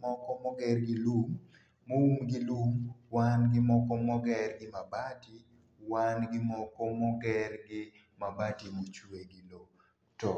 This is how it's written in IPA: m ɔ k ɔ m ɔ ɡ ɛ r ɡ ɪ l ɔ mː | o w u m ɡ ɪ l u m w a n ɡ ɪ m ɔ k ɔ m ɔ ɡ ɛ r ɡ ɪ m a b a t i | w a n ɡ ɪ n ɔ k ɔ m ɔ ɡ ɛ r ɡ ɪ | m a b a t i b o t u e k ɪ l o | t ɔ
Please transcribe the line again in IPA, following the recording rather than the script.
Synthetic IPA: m ɔ k ɔ m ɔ ɡ ɛ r ɡ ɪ l u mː | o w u m ɡ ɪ l u m w a n ɡ ɪ m ɔ k ɔ m ɔ ɡ ɛ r ɡ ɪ m a b a t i | w a n ɡ ɪ m ɔ k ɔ m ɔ ɡ ɛ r ɡ ɪ | m a b a t i m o t͡ʃ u e ɡ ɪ l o | t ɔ